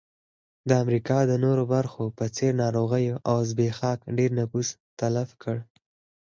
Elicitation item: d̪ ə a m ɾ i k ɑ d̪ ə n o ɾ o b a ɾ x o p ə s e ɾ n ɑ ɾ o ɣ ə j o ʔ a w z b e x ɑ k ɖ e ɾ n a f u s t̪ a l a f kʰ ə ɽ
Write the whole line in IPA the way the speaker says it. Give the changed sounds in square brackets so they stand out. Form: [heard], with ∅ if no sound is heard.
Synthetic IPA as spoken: d̪ ə a m ɾ i k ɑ d̪ ə n o ɾ o b a ɾ x o p ə [t͡s] e ɾ n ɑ ɾ o ɣ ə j o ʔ a w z b e x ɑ k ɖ e ɾ n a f u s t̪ a l a f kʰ ə ɽ